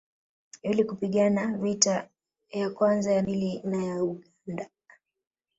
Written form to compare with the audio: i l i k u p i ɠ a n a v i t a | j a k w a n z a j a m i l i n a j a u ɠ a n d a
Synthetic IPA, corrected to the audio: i l i k u p i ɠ a n a v i t a | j a k w a n z a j a m i l i n a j a u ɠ a n d a